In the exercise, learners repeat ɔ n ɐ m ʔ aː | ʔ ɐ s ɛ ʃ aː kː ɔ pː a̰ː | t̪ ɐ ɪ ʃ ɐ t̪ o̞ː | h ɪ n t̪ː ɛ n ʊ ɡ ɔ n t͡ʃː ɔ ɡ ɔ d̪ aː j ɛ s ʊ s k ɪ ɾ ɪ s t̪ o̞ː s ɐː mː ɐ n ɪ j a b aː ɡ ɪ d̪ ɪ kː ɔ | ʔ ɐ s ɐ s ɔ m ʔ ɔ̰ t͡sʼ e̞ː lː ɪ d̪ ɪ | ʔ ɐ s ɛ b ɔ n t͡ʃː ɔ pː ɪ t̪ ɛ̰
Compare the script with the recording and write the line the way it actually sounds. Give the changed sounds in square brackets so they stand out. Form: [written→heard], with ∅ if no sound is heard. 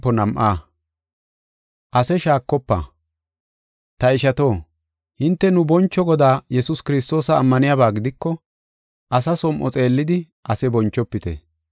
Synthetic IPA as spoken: ɔ n ɐ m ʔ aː | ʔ ɐ s ɛ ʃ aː kː ɔ pː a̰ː | t̪ ɐ ɪ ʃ ɐ t̪ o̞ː | h ɪ n t̪ː ɛ n ʊ [ɡ→b] ɔ n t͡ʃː ɔ ɡ ɔ d̪ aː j ɛ s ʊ s k ɪ ɾ ɪ s t̪ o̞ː s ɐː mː ɐ n ɪ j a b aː ɡ ɪ d̪ ɪ kː ɔ | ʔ ɐ s ɐ s ɔ m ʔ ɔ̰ t͡sʼ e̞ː lː ɪ d̪ ɪ | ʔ ɐ s ɛ b ɔ n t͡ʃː ɔ pː ɪ t̪ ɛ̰

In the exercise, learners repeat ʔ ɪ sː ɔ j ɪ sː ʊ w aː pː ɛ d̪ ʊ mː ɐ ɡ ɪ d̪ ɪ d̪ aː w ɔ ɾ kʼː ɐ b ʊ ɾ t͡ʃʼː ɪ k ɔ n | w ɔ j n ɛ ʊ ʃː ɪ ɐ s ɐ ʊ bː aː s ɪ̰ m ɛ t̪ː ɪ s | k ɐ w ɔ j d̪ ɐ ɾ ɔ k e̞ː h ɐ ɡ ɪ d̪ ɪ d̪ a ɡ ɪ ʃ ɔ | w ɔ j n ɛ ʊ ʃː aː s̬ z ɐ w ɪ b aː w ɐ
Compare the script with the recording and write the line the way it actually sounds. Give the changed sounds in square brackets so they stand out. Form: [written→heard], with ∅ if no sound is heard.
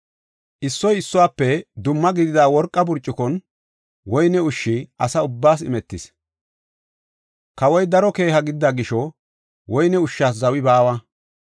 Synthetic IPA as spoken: ʔ ɪ sː ɔ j ɪ sː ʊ w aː pː ɛ d̪ ʊ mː ɐ ɡ ɪ d̪ ɪ d̪ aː w ɔ ɾ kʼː ɐ b ʊ ɾ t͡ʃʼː ɪ k ɔ n | w ɔ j n ɛ ʊ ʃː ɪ ɐ s ɐ ʊ bː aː s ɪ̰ m ɛ t̪ː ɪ s | k ɐ w ɔ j d̪ ɐ ɾ ɔ k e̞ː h ɐ ɡ ɪ d̪ ɪ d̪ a ɡ ɪ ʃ ɔ | w ɔ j n ɛ ʊ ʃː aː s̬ z ɐ w ɪ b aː w ɐ

